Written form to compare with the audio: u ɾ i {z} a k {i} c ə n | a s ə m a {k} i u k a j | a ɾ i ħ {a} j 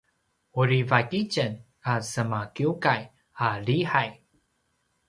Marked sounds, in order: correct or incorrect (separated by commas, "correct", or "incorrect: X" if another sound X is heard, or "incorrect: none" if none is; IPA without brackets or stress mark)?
incorrect: v, correct, correct, correct